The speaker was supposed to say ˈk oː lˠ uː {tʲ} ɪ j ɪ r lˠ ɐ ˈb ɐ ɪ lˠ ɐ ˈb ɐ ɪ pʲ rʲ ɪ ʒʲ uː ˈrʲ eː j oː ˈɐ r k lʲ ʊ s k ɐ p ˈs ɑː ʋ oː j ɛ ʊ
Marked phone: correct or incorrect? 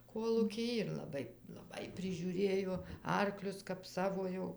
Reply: incorrect